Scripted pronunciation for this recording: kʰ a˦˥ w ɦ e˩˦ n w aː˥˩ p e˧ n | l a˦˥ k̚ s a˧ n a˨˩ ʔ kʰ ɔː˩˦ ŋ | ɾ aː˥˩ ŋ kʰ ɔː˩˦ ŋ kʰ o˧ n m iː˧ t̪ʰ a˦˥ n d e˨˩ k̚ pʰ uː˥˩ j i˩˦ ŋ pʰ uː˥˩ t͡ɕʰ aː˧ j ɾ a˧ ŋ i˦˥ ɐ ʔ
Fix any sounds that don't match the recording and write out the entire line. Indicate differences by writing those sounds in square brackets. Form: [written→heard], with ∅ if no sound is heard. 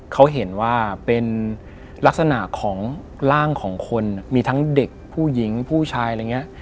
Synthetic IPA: kʰ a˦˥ w ɦ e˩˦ n w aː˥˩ p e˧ n | l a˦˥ k̚ s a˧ n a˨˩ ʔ kʰ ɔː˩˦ ŋ | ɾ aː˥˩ ŋ kʰ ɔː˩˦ ŋ kʰ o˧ n m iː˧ t̪ʰ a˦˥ [n→ŋ] d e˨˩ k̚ pʰ uː˥˩ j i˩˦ ŋ pʰ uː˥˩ t͡ɕʰ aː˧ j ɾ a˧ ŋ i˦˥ ɐ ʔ